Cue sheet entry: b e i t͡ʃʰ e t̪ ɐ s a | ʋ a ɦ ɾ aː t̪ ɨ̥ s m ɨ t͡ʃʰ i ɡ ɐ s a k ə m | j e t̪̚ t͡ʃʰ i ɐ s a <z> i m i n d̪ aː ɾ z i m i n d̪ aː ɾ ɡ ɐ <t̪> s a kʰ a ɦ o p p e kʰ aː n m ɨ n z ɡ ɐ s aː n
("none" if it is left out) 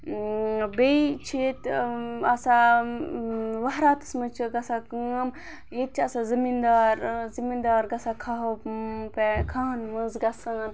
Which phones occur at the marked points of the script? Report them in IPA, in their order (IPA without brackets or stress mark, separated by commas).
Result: z, none